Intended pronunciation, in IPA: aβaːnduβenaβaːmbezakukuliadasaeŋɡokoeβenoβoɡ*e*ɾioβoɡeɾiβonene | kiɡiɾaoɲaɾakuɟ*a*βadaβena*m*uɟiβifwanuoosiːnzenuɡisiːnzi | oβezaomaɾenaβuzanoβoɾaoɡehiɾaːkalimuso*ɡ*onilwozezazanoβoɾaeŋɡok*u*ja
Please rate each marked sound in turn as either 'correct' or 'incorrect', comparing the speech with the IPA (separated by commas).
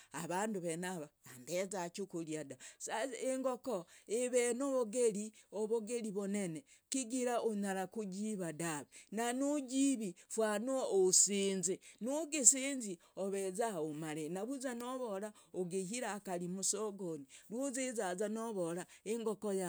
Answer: correct, incorrect, incorrect, correct, incorrect